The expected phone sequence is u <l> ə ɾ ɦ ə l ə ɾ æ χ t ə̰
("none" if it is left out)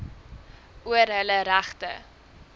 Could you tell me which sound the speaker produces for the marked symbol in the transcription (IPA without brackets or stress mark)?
none